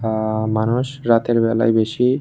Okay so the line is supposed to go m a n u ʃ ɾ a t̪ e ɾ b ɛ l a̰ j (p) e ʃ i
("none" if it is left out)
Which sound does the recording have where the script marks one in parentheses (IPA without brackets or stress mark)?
b